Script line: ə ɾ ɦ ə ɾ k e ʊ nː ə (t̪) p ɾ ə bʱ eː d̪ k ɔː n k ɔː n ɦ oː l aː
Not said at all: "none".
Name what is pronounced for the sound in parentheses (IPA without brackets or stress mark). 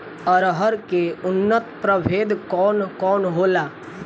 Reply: t̪